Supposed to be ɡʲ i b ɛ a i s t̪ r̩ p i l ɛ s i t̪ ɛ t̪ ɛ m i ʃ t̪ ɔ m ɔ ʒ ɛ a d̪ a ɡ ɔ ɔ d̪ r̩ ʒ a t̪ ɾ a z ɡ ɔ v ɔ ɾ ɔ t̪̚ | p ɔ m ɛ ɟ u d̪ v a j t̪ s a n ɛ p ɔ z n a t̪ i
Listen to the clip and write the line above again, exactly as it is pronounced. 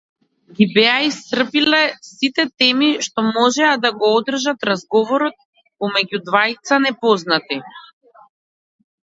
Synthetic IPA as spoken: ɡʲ i b ɛ a i s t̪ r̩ p i l ɛ s i t̪ ɛ t̪ ɛ m i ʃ t̪ ɔ m ɔ ʒ ɛ a d̪ a ɡ ɔ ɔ d̪ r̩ ʒ a t̪ ɾ a z ɡ ɔ v ɔ ɾ ɔ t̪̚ | p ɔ m ɛ ɟ u d̪ v a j t̪ s a n ɛ p ɔ z n a t̪ i

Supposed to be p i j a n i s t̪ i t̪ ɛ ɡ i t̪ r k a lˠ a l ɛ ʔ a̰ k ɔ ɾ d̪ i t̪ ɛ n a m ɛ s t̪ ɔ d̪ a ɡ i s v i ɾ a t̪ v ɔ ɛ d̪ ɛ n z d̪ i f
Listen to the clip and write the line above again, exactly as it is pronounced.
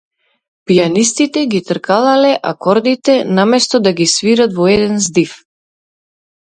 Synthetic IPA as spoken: p i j a n i s t̪ i t̪ ɛ ɡ i t̪ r k a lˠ a l ɛ ʔ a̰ k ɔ ɾ d̪ i t̪ ɛ n a m ɛ s t̪ ɔ d̪ a ɡ i s v i ɾ a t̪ v ɔ ɛ d̪ ɛ n z d̪ i f

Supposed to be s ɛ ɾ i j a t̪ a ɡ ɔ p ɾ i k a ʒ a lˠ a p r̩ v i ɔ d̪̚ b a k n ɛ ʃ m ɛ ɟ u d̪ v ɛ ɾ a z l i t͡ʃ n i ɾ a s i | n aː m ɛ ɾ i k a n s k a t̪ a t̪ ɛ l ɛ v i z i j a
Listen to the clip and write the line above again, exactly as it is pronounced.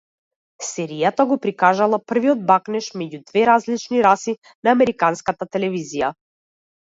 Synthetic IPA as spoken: s ɛ ɾ i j a t̪ a ɡ ɔ p ɾ i k a ʒ a lˠ a p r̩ v i ɔ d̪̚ b a k n ɛ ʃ m ɛ ɟ u d̪ v ɛ ɾ a z l i t͡ʃ n i ɾ a s i | n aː m ɛ ɾ i k a n s k a t̪ a t̪ ɛ l ɛ v i z i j a

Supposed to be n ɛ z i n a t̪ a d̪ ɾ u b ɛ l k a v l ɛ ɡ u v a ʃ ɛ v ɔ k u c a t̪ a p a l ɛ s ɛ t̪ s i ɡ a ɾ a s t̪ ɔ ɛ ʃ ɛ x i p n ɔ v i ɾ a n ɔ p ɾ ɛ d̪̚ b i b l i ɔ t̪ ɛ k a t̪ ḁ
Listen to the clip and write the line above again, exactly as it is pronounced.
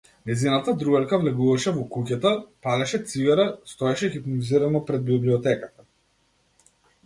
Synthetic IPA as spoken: n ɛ z i n a t̪ a d̪ ɾ u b ɛ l k a v l ɛ ɡ u v a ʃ ɛ v ɔ k u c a t̪ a p a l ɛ ʃ ɛ t̪ s i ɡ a ɾ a s t̪ ɔ ɛ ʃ ɛ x i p n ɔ z i ɾ a n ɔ p ɾ ɛ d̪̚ b i b l i ɔ t̪ ɛ k a t̪ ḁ

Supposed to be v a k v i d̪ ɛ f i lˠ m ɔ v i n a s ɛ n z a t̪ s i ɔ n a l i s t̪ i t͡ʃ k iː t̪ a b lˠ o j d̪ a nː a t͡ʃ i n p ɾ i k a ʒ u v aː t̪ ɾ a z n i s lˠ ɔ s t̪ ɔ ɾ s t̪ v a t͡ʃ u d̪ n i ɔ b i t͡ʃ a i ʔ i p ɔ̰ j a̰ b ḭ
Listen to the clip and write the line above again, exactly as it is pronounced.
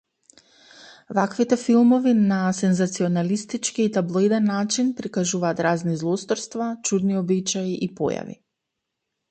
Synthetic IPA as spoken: v a k v i t̪ ɛ f i lˠ m ɔ v i n a s ɛ n z a t̪ s i ɔ n a l i s t̪ i t͡ʃ k iː t̪ a b lˠ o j d̪ ɛ nː a t͡ʃ i n p ɾ i k a ʒ u v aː t̪ ɾ a z n i z lˠ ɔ s t̪ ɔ ɾ s t̪ v a t͡ʃ u d̪ n i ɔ b i t͡ʃ a i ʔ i p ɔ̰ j a̰ v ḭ

